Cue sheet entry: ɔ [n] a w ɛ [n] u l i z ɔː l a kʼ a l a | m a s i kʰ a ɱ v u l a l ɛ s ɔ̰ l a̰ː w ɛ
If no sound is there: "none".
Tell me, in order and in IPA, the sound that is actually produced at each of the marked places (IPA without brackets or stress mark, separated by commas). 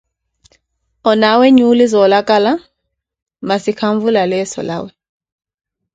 n, ɲ